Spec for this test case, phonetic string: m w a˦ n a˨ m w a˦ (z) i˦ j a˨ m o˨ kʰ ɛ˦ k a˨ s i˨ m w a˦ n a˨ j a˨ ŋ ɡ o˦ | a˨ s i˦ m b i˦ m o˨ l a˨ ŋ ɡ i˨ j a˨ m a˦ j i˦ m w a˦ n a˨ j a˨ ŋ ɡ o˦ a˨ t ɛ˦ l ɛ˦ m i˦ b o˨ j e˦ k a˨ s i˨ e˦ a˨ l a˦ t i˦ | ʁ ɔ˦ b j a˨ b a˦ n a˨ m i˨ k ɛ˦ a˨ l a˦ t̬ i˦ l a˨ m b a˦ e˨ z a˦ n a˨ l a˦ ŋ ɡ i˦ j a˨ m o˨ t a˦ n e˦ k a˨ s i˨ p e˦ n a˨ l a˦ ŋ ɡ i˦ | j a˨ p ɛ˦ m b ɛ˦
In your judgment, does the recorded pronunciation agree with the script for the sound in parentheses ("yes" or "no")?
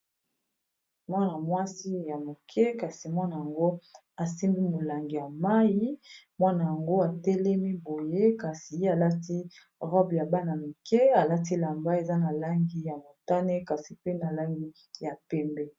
no